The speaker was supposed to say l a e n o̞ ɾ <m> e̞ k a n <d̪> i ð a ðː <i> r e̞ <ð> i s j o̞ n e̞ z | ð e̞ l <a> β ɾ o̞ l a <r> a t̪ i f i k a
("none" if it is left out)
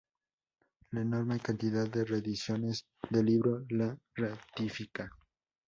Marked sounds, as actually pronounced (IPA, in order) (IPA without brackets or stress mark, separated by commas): m, t̪, e, ð, i, r